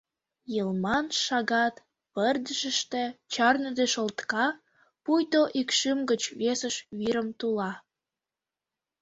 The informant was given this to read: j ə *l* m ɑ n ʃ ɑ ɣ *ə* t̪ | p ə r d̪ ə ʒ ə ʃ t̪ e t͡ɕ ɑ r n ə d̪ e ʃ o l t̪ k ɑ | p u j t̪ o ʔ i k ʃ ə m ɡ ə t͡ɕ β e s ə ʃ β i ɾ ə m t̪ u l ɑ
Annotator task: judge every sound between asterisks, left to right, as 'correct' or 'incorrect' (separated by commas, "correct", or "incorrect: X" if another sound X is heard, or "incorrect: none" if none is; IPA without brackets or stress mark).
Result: correct, incorrect: ɑ